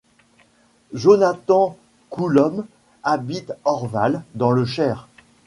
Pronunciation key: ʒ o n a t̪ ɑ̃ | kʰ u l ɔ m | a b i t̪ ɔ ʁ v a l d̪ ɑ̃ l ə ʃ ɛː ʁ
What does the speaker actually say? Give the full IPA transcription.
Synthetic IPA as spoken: ʒ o n a t̪ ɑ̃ | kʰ u l ɔ m | a b i t̪ ɔ ʁ v a l d̪ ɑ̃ l ə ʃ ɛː ʁ